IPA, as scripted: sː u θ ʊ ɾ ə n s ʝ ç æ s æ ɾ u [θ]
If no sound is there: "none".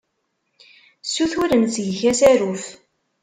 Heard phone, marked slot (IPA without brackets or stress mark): f